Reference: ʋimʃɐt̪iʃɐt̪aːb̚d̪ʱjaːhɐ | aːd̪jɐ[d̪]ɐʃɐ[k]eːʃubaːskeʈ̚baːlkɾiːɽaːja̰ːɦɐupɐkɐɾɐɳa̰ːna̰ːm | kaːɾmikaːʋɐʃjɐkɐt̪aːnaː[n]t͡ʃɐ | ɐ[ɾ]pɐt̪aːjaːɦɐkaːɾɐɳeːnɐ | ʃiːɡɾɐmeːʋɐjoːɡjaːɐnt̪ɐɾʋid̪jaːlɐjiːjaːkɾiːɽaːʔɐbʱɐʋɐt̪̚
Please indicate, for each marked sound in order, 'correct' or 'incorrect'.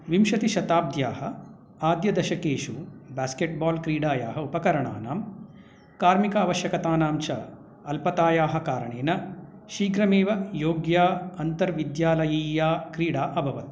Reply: correct, correct, incorrect, incorrect

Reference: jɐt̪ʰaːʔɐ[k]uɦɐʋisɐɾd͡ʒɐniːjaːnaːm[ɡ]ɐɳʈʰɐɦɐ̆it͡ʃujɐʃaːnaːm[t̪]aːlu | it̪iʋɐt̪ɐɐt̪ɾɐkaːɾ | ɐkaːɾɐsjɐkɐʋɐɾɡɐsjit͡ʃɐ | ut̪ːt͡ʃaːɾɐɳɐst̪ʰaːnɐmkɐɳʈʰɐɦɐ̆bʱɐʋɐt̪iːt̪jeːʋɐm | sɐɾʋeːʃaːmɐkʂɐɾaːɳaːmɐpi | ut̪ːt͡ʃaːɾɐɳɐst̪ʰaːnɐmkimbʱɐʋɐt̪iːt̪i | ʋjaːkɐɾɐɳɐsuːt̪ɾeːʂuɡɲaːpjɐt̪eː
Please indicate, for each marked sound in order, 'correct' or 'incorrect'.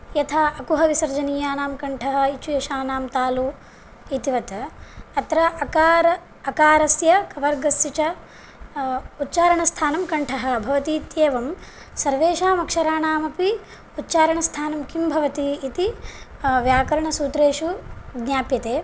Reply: correct, incorrect, correct

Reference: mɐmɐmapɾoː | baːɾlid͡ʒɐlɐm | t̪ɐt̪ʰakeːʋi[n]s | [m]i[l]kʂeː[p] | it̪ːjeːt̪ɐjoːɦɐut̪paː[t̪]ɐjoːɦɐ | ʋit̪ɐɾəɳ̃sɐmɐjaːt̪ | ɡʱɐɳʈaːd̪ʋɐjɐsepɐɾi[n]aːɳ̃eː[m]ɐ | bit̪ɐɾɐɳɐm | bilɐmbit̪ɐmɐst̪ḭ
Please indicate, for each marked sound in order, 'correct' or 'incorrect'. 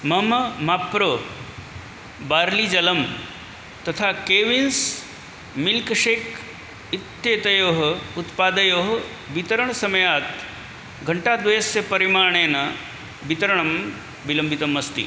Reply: correct, correct, correct, incorrect, incorrect, incorrect, incorrect

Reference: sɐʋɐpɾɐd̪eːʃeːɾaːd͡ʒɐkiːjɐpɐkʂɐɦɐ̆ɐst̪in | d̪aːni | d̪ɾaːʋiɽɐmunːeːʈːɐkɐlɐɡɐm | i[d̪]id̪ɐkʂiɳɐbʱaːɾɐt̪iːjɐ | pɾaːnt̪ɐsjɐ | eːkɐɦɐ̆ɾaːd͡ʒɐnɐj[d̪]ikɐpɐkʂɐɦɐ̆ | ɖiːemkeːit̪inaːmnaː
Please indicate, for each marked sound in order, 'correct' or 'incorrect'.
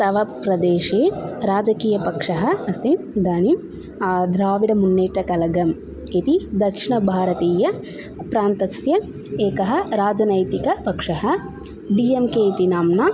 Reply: incorrect, incorrect

